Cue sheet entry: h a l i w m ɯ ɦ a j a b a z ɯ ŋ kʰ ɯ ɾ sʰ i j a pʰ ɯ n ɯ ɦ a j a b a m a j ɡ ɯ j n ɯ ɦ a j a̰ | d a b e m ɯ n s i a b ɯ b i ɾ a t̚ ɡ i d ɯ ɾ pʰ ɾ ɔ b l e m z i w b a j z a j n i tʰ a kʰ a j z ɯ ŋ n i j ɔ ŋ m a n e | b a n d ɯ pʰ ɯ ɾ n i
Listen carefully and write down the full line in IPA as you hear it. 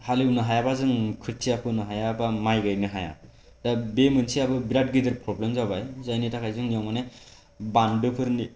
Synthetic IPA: h a l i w n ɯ ɦ a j a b a z ɯ ŋ kʰ ɯ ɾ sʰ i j a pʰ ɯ n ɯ ɦ a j a b a m a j ɡ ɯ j n ɯ ɦ a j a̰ | d a b e m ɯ n s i a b ɯ b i ɾ a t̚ ɡ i d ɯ ɾ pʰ ɾ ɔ b l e m z a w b a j z a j n i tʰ a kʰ a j z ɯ ŋ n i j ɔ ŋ m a n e | b a n d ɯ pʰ ɯ ɾ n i